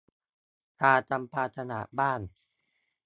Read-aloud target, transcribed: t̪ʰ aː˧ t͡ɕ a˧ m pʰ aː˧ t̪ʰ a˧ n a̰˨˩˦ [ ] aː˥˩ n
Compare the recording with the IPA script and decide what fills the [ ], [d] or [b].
b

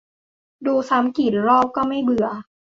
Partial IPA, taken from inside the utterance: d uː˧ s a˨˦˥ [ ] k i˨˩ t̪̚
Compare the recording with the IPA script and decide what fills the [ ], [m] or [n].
m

